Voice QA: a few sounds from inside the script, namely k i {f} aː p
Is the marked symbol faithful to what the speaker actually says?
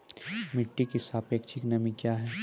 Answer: no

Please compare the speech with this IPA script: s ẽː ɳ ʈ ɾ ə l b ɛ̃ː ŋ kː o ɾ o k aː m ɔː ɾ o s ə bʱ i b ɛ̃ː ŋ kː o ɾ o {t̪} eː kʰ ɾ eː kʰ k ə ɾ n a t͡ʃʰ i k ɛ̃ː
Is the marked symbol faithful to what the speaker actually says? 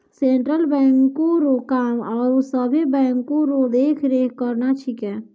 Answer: no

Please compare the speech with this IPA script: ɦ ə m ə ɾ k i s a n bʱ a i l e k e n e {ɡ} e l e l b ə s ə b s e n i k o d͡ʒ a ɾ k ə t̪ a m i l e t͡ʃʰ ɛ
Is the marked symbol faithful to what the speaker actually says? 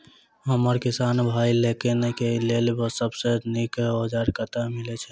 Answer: no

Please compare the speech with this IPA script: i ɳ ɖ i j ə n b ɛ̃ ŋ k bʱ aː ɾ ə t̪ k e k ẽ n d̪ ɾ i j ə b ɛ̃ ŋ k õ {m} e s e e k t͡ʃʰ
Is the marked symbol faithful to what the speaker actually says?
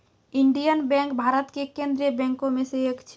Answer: yes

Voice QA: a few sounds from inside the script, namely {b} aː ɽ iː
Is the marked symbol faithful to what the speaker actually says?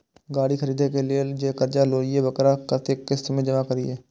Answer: no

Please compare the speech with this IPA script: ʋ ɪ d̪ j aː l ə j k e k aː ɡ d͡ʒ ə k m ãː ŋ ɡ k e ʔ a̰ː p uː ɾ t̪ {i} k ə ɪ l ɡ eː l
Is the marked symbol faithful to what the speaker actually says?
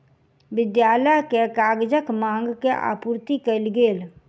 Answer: yes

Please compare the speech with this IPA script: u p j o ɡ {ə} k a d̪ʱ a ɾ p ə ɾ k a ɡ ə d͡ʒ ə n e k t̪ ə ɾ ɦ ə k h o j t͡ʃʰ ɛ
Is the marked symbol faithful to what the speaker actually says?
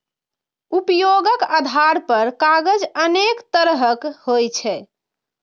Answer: yes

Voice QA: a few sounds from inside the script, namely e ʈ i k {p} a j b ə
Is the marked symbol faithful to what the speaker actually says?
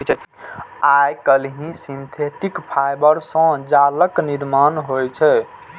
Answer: no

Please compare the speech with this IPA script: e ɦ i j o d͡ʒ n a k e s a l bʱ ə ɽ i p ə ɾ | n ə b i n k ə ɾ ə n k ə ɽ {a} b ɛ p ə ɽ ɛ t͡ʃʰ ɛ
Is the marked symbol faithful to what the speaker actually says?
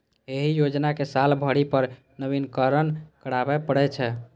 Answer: yes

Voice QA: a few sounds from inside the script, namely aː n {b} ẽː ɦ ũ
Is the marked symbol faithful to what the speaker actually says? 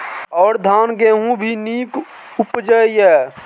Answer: no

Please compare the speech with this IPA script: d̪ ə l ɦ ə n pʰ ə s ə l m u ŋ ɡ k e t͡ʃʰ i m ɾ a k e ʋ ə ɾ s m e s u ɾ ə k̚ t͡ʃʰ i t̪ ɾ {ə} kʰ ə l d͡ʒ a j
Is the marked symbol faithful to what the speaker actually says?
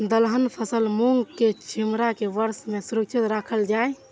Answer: no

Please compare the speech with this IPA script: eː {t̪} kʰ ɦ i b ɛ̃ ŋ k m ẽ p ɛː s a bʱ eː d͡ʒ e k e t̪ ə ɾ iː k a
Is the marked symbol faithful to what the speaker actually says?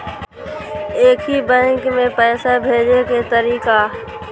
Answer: no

